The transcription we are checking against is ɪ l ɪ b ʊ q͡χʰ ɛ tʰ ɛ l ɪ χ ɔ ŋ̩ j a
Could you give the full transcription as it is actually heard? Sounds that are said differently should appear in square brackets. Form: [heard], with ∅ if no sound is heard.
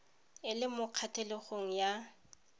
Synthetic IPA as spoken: ɪ l ɪ [m] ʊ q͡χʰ [a] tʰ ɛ l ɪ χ [o] ŋ̩ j a